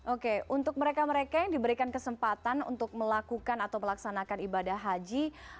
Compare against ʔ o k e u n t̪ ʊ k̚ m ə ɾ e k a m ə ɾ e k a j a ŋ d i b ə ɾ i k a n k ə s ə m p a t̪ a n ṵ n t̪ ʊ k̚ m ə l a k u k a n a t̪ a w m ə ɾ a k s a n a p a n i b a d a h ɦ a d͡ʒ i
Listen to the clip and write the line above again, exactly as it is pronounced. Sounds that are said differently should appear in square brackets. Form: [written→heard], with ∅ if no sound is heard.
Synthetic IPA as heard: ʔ o k e u n t̪ ʊ k̚ m ə ɾ e k a m ə ɾ e k a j a ŋ d i b ə ɾ i k a n k ə s ə m p a t̪ a n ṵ n t̪ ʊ k̚ m ə l a k u k a n a t̪ a w m ə [ɾ→l] a k s a n a [p→k] a n i b a d a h ɦ a d͡ʒ i